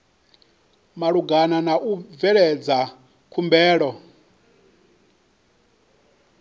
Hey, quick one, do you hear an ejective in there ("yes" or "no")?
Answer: no